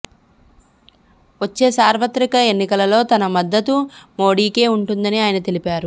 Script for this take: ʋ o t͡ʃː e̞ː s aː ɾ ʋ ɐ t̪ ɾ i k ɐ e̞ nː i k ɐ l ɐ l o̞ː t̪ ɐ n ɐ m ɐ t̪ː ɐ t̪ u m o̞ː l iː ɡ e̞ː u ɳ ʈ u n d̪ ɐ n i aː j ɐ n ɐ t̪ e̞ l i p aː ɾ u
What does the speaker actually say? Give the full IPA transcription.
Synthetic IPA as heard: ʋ o t͡ʃː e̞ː s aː ɾ ʋ ɐ t̪ ɾ i k ɐ e̞ nː i k ɐ l ɐ l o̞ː t̪ ɐ n ɐ m ɐ d̪ː ɐ t̪ u m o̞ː ɽ iː k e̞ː u ɳ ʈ u n d̪ ɐ n i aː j ɐ n ɐ t̪ e̞ l i p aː ɾ u